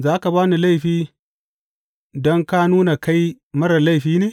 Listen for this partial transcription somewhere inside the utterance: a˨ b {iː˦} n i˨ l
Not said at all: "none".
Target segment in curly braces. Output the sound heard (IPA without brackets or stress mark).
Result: aː˦